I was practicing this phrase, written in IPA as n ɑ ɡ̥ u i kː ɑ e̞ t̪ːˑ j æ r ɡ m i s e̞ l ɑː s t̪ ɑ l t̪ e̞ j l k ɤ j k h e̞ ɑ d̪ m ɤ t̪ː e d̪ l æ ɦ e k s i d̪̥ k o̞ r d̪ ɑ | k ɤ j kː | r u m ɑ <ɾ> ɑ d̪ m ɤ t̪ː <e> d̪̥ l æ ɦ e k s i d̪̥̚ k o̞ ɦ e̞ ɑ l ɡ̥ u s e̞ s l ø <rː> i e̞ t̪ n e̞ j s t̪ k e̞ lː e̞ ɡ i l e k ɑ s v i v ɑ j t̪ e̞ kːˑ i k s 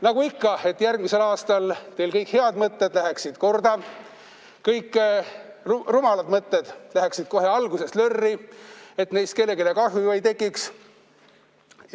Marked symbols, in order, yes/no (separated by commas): no, yes, yes